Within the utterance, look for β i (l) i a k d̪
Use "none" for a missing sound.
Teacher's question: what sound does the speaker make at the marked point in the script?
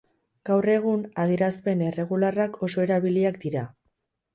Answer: l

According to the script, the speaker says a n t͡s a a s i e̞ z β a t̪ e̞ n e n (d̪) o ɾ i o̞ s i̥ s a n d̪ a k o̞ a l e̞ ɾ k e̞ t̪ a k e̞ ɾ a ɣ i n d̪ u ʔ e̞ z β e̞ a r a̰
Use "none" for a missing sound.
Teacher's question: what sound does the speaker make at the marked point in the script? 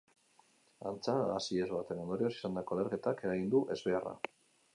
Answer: d̪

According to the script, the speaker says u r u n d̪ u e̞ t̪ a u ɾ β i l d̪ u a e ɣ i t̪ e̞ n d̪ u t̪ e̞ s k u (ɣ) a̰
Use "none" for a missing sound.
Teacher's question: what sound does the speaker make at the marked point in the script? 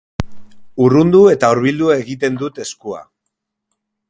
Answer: none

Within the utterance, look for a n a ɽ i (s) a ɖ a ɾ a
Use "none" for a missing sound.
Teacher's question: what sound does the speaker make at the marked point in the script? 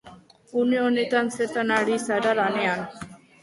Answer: s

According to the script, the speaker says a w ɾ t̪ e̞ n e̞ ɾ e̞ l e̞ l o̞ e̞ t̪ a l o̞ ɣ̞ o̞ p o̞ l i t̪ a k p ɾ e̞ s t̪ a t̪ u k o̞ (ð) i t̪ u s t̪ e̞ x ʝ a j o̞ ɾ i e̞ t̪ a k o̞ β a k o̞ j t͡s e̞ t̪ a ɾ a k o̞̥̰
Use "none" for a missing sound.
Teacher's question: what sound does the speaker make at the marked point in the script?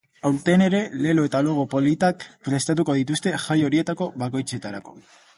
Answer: ð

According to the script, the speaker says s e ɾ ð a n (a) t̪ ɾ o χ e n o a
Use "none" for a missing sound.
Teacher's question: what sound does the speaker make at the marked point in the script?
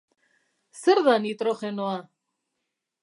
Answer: i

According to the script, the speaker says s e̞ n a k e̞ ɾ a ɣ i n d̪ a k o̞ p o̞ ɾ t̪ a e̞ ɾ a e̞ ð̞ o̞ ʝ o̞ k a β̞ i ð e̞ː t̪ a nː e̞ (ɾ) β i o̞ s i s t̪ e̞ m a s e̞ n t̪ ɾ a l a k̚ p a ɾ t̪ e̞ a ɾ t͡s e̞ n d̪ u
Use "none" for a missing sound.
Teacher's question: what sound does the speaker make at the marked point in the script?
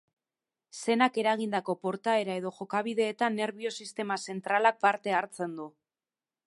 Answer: ɾ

